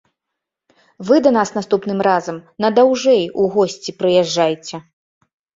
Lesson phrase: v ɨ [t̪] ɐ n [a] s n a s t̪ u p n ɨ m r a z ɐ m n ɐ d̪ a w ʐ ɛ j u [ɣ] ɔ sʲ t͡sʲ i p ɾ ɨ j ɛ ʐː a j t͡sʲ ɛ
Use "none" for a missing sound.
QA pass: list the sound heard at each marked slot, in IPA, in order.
d̪, a, ɣ

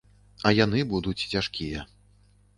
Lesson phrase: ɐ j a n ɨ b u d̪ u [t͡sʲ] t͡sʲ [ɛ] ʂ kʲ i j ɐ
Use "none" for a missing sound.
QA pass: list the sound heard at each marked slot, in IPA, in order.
t͡sʲ, a

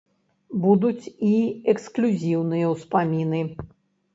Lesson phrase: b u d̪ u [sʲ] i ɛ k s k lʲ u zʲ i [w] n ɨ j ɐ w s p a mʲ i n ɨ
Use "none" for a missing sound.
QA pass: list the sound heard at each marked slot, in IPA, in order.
t͡sʲ, w

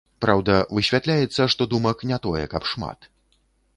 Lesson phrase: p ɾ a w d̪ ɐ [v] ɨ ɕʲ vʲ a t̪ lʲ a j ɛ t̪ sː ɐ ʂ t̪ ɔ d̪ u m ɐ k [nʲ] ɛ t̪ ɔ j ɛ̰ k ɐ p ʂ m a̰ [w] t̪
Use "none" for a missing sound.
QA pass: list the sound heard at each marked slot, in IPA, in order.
v, nʲ, none

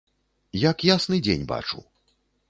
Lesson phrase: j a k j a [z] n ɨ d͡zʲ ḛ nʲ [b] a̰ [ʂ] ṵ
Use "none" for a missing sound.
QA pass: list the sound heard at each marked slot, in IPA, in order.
s, b, t͡ʂ

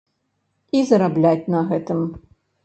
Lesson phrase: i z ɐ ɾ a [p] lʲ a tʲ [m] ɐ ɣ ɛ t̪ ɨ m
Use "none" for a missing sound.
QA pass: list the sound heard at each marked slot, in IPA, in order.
b, n

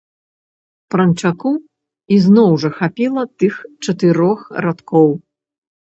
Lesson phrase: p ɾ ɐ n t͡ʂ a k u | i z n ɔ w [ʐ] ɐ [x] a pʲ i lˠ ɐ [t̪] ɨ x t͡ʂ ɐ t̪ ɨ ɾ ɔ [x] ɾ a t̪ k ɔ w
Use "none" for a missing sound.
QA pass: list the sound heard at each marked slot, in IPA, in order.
ʐ, x, t̪, x

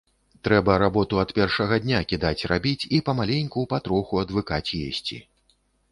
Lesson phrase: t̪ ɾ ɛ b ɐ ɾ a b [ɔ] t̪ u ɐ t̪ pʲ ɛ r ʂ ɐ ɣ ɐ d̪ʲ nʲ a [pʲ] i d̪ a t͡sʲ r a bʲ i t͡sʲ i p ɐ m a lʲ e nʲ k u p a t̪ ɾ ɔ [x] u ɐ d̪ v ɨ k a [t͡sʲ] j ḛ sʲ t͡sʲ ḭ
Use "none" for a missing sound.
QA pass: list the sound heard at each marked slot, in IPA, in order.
ɔ, kʲ, x, t͡sʲ

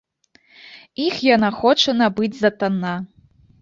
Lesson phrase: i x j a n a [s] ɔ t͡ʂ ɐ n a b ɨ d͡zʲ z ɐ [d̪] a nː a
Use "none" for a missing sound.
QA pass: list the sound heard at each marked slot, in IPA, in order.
x, t̪

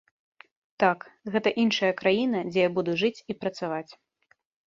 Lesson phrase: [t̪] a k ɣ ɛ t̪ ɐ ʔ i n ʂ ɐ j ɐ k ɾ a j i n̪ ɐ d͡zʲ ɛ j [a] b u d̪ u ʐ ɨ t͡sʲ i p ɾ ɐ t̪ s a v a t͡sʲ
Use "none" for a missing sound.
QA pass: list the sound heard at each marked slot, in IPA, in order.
t̪, a

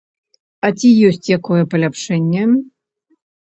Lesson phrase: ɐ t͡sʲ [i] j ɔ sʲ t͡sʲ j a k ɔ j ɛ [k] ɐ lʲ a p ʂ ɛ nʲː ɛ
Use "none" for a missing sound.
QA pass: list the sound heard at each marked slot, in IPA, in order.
i, p

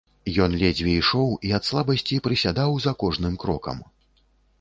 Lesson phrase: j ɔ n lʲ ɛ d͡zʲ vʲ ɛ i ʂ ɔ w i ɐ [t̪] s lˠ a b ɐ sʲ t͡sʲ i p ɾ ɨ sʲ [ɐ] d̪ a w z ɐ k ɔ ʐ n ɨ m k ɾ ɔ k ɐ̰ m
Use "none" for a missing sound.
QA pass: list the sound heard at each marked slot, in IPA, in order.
t̪, a

